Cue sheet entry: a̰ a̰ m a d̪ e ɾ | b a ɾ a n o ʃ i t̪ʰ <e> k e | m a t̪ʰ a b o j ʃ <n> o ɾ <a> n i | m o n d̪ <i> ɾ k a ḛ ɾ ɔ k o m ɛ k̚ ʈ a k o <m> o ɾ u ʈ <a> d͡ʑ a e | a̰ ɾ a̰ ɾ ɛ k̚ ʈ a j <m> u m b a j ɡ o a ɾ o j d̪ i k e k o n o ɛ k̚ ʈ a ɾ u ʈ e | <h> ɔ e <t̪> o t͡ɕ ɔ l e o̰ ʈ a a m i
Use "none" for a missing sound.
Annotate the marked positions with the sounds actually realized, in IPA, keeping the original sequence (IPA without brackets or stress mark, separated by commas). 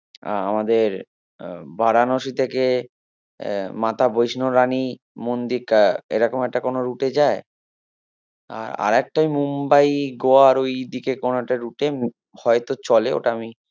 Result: e, n, a, i, n, e, m, h, t̪